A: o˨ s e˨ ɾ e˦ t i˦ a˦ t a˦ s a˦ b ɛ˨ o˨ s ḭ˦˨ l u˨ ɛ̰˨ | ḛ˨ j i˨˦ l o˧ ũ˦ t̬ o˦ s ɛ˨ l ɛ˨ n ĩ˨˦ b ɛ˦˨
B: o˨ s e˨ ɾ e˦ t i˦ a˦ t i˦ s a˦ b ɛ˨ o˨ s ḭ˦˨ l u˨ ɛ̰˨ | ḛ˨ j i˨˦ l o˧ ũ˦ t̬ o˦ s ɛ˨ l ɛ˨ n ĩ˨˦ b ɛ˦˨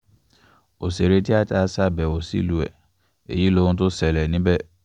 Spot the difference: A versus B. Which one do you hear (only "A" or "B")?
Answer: A